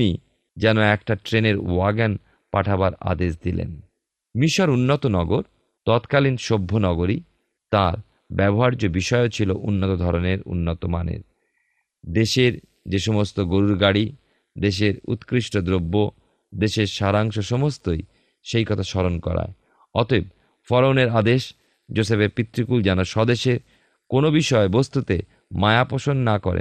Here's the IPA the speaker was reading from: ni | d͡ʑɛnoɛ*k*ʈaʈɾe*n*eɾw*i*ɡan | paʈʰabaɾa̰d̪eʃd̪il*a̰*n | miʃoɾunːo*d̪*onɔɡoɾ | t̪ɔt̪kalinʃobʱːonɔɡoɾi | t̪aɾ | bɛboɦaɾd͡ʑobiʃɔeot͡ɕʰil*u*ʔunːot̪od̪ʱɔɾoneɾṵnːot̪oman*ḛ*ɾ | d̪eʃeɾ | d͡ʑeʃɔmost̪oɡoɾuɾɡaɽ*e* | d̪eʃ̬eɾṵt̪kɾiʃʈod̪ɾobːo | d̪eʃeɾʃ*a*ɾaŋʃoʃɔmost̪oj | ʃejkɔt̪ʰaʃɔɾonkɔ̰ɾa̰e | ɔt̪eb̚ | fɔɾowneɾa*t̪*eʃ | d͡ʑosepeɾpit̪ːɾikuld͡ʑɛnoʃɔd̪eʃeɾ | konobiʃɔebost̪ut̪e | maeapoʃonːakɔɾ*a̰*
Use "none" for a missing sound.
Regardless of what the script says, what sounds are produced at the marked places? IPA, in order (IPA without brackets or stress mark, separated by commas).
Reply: k, n, a, ḛ, t̪, o, ḛ, i, a, d̪, ḛ